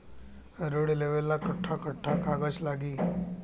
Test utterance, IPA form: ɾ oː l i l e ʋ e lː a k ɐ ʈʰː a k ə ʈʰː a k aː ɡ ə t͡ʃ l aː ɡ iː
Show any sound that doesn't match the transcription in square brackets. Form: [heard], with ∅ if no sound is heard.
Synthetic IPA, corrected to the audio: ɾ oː [ɽ] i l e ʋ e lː a k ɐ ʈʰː a k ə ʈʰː a k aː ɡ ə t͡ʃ l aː ɡ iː